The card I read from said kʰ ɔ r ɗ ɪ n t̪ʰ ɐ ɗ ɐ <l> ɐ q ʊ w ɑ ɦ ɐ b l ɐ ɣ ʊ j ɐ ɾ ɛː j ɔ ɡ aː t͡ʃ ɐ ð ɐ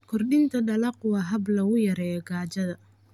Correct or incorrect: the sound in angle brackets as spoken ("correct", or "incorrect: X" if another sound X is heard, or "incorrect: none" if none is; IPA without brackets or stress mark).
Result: correct